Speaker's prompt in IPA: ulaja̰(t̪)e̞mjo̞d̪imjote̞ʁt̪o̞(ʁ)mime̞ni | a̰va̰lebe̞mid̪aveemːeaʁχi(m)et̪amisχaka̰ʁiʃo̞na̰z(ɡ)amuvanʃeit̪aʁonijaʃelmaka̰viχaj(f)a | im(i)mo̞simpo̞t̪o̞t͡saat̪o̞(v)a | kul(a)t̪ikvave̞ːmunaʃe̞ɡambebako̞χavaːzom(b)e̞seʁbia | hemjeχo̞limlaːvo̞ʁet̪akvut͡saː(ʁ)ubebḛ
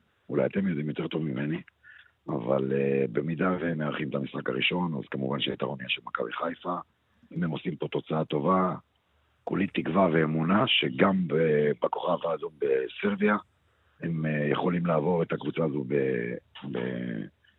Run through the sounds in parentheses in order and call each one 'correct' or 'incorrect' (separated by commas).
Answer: correct, incorrect, correct, incorrect, correct, incorrect, correct, incorrect, correct, incorrect